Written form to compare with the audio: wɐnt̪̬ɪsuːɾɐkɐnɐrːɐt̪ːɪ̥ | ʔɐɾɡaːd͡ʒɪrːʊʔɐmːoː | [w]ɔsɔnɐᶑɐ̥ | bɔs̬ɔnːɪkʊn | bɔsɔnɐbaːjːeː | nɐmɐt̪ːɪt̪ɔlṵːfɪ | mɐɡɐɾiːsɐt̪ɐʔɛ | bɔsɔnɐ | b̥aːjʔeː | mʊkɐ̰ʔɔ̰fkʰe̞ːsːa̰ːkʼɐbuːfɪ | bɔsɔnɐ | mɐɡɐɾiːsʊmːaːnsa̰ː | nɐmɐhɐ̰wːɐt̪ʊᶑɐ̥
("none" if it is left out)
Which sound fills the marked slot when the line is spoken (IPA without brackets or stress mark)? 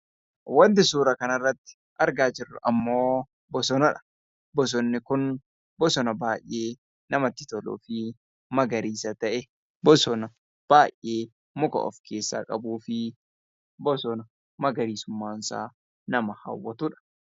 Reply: b